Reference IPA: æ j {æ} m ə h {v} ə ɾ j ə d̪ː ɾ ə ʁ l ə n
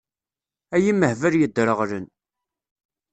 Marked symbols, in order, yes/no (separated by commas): no, yes